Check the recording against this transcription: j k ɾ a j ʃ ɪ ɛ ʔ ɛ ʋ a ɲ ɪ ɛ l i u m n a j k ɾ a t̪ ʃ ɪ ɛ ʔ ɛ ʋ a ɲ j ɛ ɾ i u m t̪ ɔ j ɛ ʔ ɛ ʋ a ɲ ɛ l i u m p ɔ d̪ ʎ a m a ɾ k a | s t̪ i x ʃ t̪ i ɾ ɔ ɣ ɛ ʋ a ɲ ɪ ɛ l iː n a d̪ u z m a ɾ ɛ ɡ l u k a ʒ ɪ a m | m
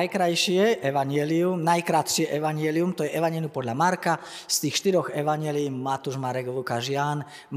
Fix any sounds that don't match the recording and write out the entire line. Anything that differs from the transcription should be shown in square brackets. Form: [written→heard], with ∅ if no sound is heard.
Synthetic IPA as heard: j k ɾ a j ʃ ɪ ɛ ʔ ɛ ʋ a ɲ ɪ ɛ l i u m n a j k ɾ a t̪ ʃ ɪ ɛ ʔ ɛ ʋ a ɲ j ɛ [ɾ→l] i u m t̪ ɔ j ɛ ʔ ɛ ʋ a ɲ ɛ l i u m p ɔ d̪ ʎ a m a ɾ k a | s t̪ [i→iː] x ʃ t̪ i ɾ ɔ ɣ ɛ ʋ a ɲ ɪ ɛ l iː [n→m] a [d̪→t̪] u [z→ʒ] m a ɾ ɛ ɡ l u k a ʒ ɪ a [m→n] | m